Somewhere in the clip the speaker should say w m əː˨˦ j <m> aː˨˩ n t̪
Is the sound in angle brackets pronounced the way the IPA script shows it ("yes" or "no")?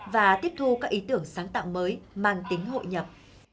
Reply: yes